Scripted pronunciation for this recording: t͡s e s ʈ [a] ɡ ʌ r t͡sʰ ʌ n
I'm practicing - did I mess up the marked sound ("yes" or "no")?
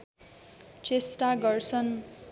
no